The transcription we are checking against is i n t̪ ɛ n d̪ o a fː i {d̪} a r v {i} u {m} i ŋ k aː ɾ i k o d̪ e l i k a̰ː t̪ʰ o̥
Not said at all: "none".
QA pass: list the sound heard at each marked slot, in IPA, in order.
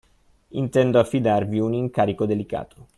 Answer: d̪, i, n

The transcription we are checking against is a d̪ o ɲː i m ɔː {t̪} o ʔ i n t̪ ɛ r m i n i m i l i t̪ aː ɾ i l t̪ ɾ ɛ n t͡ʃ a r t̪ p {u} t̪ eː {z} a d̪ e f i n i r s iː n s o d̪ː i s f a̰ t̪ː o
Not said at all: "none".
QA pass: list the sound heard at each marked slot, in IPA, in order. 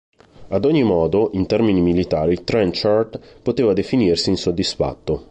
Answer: d̪, o, v

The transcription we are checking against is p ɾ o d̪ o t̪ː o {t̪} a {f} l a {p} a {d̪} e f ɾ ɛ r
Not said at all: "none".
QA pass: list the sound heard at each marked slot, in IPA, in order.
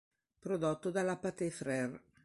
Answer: d̪, none, p, t̪

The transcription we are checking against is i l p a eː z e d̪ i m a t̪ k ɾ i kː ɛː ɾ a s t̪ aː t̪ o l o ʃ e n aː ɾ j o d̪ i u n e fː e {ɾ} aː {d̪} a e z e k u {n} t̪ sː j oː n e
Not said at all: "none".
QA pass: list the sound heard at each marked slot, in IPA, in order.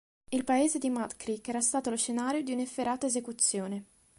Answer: ɾ, t̪, none

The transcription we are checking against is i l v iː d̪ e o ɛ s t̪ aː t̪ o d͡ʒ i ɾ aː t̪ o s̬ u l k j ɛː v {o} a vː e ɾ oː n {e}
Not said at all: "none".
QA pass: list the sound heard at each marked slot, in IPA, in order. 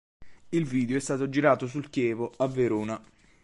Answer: o, a

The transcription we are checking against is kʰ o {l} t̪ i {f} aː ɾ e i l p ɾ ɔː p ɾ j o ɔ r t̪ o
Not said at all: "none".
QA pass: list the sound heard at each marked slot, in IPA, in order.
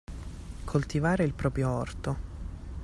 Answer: l, v

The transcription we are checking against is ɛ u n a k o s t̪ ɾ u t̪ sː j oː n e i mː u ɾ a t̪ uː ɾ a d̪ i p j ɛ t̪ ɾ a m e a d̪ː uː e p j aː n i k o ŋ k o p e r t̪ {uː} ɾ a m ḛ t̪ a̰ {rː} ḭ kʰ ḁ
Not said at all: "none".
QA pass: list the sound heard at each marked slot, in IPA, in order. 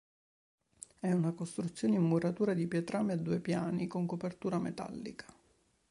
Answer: uː, lː

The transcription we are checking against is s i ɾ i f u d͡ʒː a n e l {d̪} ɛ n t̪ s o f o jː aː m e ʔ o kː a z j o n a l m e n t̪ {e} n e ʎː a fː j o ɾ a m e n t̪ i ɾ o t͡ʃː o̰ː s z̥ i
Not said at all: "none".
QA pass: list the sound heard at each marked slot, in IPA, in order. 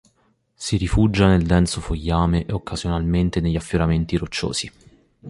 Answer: d̪, e

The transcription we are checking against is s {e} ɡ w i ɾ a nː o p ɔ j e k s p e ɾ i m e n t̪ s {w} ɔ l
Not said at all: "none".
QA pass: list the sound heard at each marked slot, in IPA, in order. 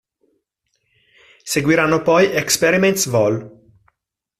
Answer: e, v

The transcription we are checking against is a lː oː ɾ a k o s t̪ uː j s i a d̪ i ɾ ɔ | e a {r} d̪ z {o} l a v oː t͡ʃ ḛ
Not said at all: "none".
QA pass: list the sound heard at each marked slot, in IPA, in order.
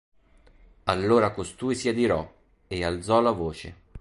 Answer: l, ɔ

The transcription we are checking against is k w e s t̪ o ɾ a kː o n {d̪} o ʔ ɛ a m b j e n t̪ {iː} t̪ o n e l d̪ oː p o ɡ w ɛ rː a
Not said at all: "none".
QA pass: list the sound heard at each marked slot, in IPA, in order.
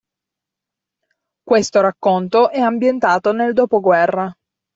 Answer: t̪, aː

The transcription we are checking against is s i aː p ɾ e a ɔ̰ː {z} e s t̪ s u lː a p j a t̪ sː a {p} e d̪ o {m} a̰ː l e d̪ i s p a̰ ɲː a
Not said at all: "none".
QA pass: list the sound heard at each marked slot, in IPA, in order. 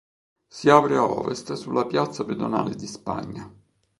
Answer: v, p, n

